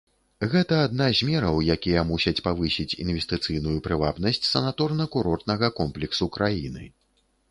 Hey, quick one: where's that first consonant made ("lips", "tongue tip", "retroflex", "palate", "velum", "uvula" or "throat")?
velum